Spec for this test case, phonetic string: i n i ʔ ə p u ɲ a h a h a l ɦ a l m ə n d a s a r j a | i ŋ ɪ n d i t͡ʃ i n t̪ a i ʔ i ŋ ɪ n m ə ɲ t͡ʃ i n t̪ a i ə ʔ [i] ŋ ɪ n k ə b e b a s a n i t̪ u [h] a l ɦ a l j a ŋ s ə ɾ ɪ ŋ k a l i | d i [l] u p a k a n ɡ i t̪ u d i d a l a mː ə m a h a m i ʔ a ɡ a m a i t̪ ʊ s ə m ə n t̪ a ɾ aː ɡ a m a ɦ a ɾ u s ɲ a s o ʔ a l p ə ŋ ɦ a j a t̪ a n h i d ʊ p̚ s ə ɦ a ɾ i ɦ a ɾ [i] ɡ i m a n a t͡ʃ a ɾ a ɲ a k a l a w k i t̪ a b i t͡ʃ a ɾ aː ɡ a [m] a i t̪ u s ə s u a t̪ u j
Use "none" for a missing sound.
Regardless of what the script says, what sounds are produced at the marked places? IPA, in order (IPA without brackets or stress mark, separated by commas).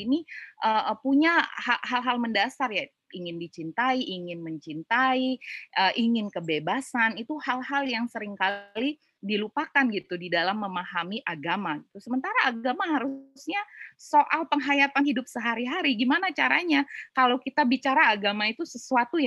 i, h, l, i, m